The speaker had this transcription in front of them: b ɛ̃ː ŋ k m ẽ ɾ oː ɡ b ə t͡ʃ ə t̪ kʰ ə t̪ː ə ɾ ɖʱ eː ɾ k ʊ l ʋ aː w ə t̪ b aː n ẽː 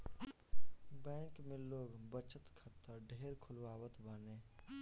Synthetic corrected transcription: b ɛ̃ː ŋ k m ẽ l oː ɡ b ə t͡ʃ ə t̪ kʰ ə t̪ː ə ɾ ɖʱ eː ɾ kʰ ʊ l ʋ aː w ə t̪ b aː n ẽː